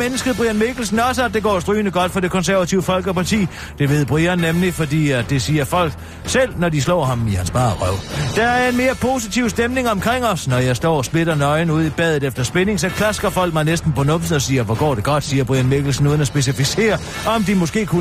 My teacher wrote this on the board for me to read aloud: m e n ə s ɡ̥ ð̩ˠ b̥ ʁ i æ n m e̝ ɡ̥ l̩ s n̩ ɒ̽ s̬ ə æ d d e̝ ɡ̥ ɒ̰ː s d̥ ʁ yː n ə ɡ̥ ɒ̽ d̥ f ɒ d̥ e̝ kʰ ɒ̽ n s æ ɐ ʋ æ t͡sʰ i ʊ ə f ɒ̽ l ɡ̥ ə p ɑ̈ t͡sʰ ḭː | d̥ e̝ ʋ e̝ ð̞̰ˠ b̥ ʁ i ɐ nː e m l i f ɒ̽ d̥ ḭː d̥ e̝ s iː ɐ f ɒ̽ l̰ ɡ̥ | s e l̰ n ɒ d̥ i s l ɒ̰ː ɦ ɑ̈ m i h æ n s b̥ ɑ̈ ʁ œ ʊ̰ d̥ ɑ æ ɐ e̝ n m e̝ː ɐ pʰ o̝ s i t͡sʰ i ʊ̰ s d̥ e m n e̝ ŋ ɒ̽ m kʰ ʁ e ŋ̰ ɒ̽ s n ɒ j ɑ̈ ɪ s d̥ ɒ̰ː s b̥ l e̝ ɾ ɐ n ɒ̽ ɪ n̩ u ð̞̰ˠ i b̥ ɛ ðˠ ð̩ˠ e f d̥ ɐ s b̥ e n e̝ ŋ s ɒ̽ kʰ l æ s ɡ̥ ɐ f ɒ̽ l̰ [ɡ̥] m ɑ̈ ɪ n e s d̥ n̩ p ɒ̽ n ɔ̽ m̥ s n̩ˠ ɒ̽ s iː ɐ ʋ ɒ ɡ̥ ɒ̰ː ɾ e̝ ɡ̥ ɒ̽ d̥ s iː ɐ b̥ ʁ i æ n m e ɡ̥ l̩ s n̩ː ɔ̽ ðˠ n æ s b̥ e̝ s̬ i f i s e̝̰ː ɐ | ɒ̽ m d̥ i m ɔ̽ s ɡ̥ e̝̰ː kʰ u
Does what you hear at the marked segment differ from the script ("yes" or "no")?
no